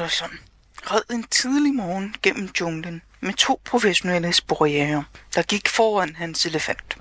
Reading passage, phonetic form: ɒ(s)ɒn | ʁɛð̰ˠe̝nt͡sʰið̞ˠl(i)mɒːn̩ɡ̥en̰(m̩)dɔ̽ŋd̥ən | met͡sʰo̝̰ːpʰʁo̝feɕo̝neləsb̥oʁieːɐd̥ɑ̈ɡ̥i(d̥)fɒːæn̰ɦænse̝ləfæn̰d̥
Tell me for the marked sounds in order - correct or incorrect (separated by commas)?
correct, correct, correct, incorrect